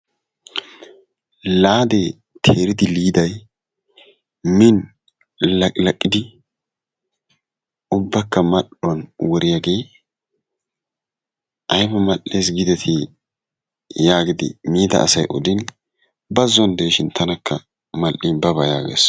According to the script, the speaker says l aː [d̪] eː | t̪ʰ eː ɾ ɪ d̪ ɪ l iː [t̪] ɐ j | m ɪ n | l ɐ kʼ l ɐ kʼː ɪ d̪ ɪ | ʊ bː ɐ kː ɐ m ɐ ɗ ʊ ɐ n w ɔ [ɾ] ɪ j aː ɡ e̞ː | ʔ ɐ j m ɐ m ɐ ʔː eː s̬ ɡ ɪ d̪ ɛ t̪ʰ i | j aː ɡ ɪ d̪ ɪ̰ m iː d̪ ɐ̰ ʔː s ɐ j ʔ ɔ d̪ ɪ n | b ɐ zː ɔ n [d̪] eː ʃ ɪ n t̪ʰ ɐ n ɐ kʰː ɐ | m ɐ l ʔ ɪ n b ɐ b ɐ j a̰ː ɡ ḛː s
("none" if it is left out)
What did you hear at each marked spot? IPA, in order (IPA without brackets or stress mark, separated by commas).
d̪, d̪, ɾ, d̪